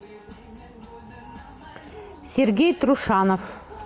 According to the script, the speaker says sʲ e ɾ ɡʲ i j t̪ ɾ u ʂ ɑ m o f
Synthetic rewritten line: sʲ e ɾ ɡʲ e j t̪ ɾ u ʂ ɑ n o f

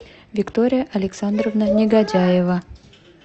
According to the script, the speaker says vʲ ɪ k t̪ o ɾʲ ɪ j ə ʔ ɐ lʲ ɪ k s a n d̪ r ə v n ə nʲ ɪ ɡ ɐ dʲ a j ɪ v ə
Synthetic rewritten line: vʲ ɪ k t̪ o ɾʲ ɪ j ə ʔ ɐ lʲ ɪ k s a n d̪ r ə v n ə nʲ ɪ ɡ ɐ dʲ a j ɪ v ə

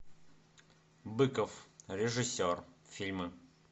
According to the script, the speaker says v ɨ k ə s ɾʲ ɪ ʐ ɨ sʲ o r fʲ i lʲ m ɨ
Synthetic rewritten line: b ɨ k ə f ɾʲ ɪ ʐ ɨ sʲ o r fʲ i lʲ m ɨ

